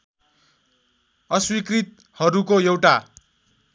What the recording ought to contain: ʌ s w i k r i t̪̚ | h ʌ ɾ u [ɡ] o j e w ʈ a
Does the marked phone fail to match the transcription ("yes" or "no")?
yes